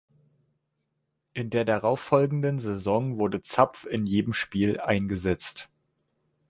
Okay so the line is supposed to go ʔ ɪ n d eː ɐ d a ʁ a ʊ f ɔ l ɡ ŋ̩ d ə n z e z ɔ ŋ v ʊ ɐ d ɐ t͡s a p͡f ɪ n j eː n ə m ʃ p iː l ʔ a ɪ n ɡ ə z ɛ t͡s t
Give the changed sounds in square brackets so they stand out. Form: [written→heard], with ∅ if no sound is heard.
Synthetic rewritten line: ʔ ɪ n d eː ɐ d a ʁ a ʊ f ɔ l ɡ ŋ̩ d ə n z e z ɔ ŋ v ʊ ɐ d [ɐ→ə] t͡s a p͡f ɪ n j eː [n→d] ə m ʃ p iː l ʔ a ɪ n ɡ ə z ɛ t͡s t